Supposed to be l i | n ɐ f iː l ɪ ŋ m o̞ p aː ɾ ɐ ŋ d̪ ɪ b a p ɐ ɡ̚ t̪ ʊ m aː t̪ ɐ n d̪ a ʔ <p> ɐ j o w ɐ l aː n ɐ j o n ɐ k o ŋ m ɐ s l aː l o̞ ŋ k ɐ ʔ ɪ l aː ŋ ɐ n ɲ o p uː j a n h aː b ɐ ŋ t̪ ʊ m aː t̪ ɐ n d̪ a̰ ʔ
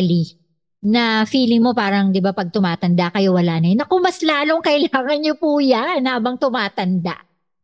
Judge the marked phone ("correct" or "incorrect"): incorrect